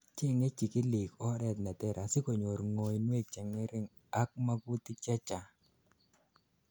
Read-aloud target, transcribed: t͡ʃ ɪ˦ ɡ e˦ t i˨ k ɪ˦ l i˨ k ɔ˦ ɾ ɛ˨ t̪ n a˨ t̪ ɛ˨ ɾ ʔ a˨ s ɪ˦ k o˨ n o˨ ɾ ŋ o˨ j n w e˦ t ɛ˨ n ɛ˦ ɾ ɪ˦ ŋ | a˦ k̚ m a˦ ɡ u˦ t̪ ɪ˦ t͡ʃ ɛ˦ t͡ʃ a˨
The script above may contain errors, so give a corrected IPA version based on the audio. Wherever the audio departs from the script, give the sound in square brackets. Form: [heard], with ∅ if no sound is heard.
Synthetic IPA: t͡ʃ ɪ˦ [ŋ] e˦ [t͡ʃ] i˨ k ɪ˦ l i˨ k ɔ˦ ɾ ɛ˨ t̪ n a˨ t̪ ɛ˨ ɾ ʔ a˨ s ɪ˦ k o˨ [ɲ] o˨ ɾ ŋ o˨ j n w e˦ [t͡ʃ] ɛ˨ [ŋ] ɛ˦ ɾ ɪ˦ ŋ | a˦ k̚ m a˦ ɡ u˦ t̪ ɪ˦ t͡ʃ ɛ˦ t͡ʃ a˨